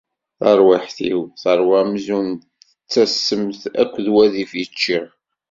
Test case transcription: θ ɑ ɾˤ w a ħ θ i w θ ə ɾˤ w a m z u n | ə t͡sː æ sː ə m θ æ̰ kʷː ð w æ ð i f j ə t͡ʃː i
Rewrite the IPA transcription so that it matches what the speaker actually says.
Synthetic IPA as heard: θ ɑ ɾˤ w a ħ θ i w θ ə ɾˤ w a m z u n | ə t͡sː æ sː ə m θ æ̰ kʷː ð w æ ð i f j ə t͡ʃː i

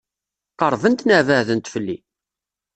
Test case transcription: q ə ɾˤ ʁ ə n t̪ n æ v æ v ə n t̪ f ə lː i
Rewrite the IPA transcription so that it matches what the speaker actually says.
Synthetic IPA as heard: q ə ɾˤ v ə n t̪ n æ v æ ð ə n t̪ f ə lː i

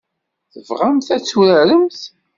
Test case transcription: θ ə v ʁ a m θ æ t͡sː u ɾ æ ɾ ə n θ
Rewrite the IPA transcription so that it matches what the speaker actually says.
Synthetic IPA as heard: θ ə v ʁ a m θ æ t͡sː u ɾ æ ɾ ə m θ

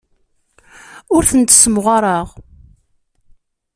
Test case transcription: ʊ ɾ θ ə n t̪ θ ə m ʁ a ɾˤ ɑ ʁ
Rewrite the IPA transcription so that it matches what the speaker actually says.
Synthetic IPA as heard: ʊ ɾ θ ə n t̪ s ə m ʁ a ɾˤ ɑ ʁ

